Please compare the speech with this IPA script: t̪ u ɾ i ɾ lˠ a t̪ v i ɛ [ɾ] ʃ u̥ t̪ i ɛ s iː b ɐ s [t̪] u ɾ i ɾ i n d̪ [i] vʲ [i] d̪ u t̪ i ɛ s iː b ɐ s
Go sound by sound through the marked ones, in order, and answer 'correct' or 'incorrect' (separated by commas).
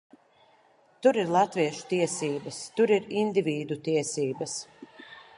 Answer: incorrect, correct, correct, incorrect